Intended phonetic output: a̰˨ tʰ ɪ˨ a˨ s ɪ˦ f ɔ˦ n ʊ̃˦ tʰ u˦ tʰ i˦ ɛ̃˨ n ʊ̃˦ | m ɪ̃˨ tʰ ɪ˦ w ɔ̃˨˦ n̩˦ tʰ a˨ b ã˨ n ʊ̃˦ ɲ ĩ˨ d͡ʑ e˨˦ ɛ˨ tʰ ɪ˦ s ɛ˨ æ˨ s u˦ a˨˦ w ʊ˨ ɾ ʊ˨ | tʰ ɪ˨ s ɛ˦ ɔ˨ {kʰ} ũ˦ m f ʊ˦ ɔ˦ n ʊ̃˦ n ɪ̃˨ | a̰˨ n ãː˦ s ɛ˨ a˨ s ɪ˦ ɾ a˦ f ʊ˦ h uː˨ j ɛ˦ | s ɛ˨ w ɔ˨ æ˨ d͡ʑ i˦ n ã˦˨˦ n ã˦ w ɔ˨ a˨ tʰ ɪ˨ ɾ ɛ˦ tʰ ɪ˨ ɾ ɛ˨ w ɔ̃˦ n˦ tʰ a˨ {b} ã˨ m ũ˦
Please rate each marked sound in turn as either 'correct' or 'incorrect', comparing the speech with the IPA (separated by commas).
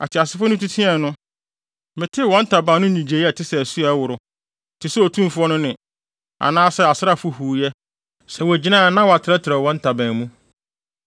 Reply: incorrect, correct